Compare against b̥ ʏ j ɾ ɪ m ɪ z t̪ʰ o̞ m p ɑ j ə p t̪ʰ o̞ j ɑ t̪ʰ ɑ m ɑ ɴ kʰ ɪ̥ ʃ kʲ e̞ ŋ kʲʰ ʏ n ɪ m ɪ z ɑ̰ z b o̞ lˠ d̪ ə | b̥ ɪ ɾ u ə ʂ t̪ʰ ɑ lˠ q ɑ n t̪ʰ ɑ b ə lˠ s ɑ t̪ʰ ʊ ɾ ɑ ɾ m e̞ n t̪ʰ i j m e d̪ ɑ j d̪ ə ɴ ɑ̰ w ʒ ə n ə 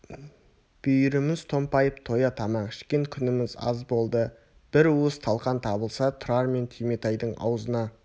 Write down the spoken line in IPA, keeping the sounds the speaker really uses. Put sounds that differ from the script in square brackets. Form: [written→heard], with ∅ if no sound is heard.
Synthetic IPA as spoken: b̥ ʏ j ɾ ɪ m ɪ z t̪ʰ o̞ m p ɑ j ə p t̪ʰ o̞ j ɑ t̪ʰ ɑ m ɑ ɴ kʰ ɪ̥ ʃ kʲ e̞ ŋ kʲʰ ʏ n ɪ m ɪ z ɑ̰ z b o̞ lˠ d̪ ə | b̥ ɪ ɾ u ə [ʂ→s] t̪ʰ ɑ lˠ q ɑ n t̪ʰ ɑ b ə lˠ s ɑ t̪ʰ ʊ ɾ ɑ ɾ m e̞ n t̪ʰ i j m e [d̪→t̪] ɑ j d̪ ə ɴ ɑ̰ w [ʒ→z] ə n [ə→ɑ]

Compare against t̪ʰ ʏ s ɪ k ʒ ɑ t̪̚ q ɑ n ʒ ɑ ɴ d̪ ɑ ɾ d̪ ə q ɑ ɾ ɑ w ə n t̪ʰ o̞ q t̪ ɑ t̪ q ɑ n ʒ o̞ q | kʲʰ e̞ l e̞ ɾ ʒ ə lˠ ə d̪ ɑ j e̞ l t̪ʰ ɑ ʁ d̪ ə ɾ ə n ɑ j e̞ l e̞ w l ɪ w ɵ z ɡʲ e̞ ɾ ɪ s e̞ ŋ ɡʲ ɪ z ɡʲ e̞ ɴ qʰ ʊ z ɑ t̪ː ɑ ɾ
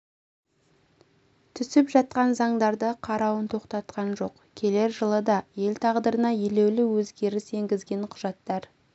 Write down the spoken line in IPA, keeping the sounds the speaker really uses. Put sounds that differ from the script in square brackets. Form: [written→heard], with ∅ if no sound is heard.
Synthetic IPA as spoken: t̪ʰ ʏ s ɪ [k→p] ʒ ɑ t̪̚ q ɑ n [ʒ→z] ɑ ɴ d̪ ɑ ɾ d̪ ə [q→qʰ] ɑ ɾ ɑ w ə n t̪ʰ o̞ q t̪ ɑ t̪ q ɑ n ʒ o̞ q | kʲʰ e̞ l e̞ ɾ ʒ ə lˠ ə d̪ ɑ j e̞ l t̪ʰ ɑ ʁ d̪ ə ɾ ə n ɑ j e̞ l e̞ w l ɪ w ɵ z ɡʲ e̞ ɾ ɪ s e̞ ŋ ɡʲ ɪ z ɡʲ e̞ ɴ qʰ ʊ [z→ʒ] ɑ t̪ː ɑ ɾ

